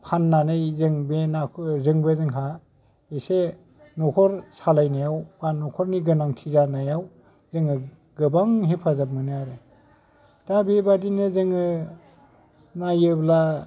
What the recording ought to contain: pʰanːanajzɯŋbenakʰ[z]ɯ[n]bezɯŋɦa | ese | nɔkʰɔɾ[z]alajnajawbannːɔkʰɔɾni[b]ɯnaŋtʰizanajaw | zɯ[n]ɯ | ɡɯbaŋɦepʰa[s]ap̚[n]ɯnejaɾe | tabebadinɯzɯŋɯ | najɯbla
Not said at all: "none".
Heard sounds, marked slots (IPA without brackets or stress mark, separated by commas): z, ŋ, s, ɡ, ŋ, z, m